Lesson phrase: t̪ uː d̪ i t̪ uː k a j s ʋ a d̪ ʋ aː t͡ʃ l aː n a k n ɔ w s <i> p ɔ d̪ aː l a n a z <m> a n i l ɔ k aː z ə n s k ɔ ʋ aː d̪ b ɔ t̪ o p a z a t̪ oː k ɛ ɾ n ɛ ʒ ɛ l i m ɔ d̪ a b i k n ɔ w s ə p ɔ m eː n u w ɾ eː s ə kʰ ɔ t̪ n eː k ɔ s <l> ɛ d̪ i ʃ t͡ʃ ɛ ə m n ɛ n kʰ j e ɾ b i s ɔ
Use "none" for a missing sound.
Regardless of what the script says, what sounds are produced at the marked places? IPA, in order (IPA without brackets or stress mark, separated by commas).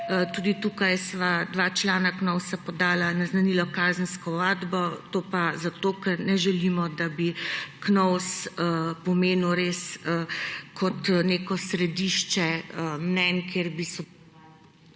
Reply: a, n, ɾ